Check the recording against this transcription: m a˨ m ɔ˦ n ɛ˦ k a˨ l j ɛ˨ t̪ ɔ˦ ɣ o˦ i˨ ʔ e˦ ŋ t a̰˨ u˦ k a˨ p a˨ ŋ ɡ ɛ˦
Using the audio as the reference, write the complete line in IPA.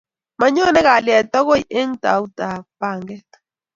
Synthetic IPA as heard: m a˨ ɲ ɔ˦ n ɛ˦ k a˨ l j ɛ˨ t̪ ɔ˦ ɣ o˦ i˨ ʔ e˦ ŋ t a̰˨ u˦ t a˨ p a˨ ŋ ɡ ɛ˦